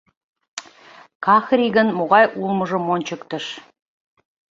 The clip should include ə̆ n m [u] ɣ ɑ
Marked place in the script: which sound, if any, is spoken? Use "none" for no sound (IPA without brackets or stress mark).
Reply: o